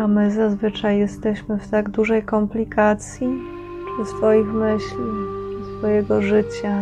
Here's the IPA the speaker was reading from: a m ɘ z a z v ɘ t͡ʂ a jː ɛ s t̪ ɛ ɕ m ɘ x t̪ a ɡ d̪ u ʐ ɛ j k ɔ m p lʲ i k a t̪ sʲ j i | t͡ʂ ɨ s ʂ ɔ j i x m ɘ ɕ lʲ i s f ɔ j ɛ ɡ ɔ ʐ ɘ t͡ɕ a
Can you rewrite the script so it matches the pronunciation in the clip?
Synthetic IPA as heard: a m ɘ z a z v ɘ t͡ʂ a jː ɛ s t̪ ɛ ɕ m ɘ f t̪ a ɡ d̪ u ʐ ɛ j k ɔ m p lʲ i k a t̪ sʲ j i | t͡ʂ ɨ s f ɔ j i x m ɘ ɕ lʲ i s f ɔ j ɛ ɡ ɔ ʐ ɘ t͡ɕ a